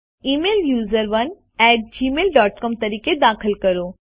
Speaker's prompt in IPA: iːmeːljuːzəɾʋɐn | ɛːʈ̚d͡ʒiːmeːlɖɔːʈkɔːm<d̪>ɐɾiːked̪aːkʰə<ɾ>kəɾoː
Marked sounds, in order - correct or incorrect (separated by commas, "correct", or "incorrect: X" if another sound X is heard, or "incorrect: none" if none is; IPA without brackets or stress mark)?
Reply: incorrect: t̪, incorrect: l